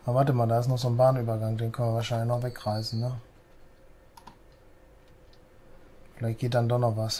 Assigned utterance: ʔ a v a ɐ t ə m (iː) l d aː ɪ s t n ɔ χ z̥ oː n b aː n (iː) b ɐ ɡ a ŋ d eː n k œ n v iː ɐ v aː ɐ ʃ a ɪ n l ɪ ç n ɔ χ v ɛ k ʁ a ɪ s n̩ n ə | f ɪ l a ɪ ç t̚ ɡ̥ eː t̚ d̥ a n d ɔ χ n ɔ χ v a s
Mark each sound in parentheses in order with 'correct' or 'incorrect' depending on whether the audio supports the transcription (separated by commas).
incorrect, incorrect